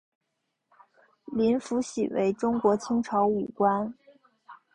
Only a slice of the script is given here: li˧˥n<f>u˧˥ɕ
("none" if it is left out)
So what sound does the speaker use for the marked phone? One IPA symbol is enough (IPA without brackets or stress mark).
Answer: f